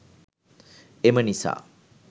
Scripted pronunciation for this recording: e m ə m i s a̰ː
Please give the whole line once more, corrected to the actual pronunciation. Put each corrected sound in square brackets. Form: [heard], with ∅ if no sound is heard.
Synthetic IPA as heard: e m ə [n] i s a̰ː